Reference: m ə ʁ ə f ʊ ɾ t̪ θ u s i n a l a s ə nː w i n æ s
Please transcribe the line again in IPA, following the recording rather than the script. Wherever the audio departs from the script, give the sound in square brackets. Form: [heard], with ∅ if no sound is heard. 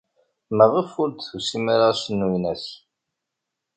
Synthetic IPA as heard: m ə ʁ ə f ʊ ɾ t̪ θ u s i [m] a [ɾ] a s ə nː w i n æ s